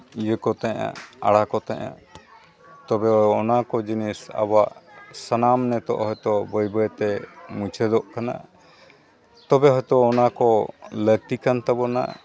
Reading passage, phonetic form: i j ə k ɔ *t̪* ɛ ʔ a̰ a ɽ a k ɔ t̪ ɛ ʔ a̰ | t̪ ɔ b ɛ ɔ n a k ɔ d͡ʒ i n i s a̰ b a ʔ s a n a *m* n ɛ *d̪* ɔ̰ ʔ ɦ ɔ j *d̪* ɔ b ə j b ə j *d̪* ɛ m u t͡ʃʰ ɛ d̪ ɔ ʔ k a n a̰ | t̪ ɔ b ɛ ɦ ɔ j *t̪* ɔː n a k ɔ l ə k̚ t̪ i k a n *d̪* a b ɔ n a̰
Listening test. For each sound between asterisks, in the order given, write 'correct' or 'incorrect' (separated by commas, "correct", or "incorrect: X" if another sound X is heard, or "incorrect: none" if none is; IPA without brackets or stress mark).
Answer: correct, correct, incorrect: t̪, incorrect: t̪, incorrect: t̪, correct, incorrect: t̪